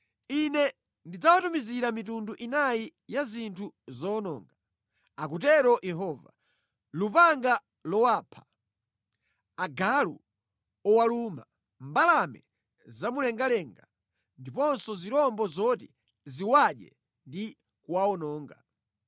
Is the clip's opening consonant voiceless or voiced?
voiced